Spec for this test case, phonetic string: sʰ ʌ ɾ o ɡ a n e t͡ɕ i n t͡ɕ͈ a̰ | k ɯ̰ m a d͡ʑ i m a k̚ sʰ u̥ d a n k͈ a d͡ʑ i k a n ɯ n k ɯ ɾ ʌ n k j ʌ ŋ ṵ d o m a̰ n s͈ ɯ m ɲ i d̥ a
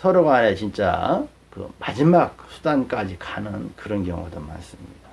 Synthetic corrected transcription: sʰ ʌ ɾ o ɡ a n e t͡ɕ i n t͡ɕ͈ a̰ | k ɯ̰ m a d͡ʑ i m a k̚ sʰ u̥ d a n k͈ a d͡ʑ i k a n ɯ n k ɯ ɾ ʌ n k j ʌ ŋ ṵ d o m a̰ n s͈ ɯ m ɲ i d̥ a